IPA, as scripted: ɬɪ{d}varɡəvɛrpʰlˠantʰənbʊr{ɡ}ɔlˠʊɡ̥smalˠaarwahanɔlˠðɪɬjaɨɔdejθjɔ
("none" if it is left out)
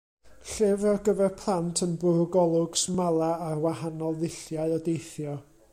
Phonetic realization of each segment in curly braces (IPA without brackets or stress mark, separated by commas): none, ɡ